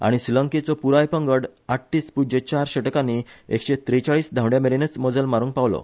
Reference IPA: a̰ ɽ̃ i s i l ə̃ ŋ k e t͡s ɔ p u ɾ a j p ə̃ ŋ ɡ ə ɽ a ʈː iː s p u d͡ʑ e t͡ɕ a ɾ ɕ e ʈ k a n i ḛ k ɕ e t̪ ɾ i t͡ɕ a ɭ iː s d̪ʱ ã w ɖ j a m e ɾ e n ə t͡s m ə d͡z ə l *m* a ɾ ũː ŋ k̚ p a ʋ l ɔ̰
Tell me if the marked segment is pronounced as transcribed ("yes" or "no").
yes